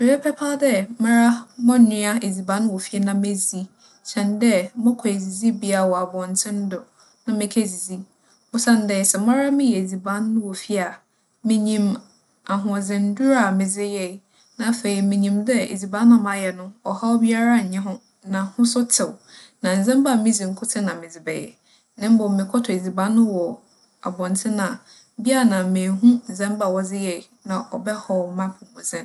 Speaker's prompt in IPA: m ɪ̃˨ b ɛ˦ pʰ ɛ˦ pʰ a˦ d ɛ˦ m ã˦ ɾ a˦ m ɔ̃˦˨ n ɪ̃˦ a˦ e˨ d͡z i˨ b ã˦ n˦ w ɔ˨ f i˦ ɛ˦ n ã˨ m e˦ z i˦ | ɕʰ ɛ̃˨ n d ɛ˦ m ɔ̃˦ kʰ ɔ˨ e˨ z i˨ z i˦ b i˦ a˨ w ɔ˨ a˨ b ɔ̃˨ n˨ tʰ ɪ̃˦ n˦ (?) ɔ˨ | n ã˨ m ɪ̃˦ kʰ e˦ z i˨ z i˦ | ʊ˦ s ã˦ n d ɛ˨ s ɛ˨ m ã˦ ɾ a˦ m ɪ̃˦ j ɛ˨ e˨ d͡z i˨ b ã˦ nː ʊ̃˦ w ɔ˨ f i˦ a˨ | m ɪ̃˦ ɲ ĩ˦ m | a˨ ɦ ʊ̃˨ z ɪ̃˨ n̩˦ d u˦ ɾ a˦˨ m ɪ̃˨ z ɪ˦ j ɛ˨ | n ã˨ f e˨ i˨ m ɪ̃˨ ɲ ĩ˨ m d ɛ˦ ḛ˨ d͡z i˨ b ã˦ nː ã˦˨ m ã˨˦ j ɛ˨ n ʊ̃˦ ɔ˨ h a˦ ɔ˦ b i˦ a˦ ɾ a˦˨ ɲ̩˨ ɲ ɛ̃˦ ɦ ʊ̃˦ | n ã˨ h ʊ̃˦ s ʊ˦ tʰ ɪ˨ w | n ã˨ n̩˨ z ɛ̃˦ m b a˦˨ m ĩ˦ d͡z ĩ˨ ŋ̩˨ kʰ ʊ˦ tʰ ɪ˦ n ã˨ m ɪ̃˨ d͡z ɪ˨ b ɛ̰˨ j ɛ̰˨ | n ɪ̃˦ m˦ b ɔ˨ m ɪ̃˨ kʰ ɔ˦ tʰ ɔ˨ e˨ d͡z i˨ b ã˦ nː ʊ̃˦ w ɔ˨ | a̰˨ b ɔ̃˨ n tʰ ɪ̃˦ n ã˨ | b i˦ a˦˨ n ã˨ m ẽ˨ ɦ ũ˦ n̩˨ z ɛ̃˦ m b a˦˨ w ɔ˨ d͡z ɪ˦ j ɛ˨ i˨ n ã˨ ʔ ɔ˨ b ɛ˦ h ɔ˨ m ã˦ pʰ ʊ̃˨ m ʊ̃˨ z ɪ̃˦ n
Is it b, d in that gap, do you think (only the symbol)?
d